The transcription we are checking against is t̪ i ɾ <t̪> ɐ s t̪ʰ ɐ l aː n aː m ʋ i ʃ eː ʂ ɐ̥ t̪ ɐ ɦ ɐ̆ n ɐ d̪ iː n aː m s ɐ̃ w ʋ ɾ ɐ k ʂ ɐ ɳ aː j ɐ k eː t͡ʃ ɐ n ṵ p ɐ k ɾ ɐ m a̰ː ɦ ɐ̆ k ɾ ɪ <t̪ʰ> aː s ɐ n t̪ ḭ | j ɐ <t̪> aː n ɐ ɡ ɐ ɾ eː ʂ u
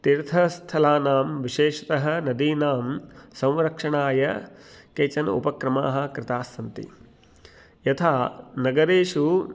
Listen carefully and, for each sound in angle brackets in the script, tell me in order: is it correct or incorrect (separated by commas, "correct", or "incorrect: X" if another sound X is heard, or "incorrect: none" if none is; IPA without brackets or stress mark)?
incorrect: t̪ʰ, incorrect: t̪, incorrect: t̪ʰ